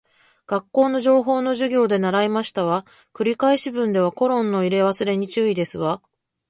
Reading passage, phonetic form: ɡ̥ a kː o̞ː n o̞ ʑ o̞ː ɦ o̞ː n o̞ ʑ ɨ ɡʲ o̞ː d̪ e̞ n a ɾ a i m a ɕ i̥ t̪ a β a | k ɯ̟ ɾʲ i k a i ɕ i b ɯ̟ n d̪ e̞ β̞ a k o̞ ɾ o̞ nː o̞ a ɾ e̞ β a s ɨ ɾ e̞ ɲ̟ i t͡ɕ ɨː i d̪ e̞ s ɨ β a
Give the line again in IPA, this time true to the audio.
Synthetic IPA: ɡ̥ a kː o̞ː n o̞ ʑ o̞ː ɦ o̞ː n o̞ ʑ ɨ ɡʲ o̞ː d̪ e̞ n a ɾ a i m a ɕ i̥ t̪ a β a | k ɯ̟ ɾʲ i k a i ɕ i b ɯ̟̃ n d̪ e̞ β̞ a k o̞ ɾ õ̞ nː o̞ i ɾ e̞ β a s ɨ ɾ e̞ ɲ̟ i t͡ɕ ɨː i d̪ e̞ s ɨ β a